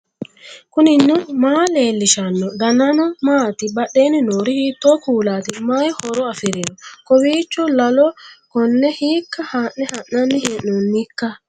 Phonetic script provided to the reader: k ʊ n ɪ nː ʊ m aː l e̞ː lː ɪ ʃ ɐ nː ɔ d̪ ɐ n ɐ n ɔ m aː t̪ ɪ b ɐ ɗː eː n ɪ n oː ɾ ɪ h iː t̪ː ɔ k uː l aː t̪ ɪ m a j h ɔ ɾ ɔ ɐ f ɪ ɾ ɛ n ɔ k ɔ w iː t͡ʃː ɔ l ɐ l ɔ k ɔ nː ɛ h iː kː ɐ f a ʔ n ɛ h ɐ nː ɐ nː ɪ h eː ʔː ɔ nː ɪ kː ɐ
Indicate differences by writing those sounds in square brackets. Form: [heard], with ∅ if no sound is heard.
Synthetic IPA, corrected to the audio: k ʊ n ɪ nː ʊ m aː l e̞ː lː ɪ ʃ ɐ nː ɔ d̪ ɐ n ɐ n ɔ m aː t̪ ɪ b ɐ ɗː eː n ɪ n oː ɾ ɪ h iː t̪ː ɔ k uː l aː t̪ ɪ m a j h ɔ ɾ ɔ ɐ f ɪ ɾ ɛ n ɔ k ɔ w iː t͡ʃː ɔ l ɐ l ɔ k ɔ nː ɛ h iː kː ɐ [h] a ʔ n ɛ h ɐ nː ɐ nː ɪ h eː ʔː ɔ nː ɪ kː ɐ